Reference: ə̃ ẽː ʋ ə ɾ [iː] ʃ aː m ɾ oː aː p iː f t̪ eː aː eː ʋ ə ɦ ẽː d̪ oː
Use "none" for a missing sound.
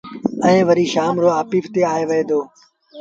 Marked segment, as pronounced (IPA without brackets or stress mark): iː